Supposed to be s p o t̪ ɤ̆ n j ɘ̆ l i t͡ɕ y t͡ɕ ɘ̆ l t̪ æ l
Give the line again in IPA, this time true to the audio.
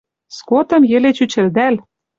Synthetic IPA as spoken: s k o t̪ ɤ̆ m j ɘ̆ l e t͡ɕ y t͡ɕ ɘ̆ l d̪ æ l

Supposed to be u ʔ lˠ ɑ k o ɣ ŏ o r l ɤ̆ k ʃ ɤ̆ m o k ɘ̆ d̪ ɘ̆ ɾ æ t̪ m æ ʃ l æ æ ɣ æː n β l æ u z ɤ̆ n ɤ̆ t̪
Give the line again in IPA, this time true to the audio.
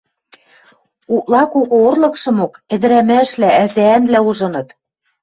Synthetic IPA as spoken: u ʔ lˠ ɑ k o ɣ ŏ o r l ɤ̆ k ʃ ɤ̆ m o k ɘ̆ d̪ ɘ̆ ɾ æ m æ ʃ l æ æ z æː n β l æ u ʒ ɤ̆ n ɤ̆ t̪

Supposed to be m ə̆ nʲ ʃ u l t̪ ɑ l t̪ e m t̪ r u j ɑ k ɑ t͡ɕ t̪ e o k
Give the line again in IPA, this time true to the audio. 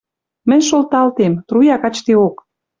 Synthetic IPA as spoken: m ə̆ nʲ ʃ o l t̪ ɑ l t̪ e m t̪ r u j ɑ k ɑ t͡ɕ t̪ e o k

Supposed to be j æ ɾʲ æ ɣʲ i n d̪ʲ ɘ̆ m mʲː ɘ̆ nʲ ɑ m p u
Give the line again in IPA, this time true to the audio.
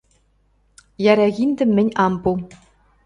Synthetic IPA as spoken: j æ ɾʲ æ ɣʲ i n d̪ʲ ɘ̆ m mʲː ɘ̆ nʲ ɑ m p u

